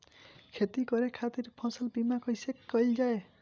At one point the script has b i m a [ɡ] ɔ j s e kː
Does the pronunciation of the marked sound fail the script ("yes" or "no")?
yes